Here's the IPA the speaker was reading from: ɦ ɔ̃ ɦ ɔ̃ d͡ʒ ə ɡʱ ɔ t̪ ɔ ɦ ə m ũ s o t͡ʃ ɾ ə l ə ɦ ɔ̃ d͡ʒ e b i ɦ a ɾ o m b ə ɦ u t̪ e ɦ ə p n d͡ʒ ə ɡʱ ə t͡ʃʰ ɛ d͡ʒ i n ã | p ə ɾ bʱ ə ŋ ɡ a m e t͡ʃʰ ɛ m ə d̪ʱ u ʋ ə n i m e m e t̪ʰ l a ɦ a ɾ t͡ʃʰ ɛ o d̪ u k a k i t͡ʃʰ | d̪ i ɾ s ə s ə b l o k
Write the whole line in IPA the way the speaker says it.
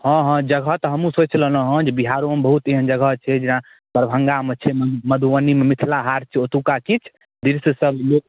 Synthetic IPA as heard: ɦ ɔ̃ ɦ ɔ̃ d͡ʒ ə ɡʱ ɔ t̪ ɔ ɦ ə m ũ s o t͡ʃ l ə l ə ɦ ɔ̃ d͡ʒ e b i ɦ a ɾ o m b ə ɦ u t̪ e ɦ ə n d͡ʒ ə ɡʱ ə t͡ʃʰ ɛ d͡ʒ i n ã | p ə ɾ bʱ ə ŋ ɡ a m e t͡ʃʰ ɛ m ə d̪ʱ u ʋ ə n i m e m i t̪ʰ l a ɦ a ɾ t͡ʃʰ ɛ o t̪ u k a k i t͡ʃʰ | d̪ i ɾ s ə s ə b l o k